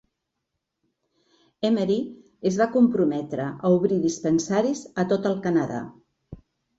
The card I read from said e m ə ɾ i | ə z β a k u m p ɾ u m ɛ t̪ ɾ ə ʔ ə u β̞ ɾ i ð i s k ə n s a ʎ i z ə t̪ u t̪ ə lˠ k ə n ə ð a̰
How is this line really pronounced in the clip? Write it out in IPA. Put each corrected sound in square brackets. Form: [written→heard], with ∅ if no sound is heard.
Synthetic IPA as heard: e m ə ɾ i | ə z β a k u m p ɾ u m ɛ t̪ ɾ ə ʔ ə u β̞ ɾ i ð i s [k→p] ə n s a [ʎ→ɾ] i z ə t̪ [u→o] t̪ ə lˠ k ə n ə ð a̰